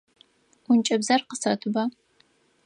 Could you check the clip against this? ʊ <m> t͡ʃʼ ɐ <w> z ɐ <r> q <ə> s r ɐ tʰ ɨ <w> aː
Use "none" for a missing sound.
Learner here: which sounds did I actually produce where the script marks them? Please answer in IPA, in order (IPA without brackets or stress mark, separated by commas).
n, b, r, ə, b